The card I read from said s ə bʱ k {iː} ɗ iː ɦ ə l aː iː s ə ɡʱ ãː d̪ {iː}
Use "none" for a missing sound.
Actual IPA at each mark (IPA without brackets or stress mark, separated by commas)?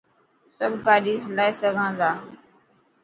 aː, aː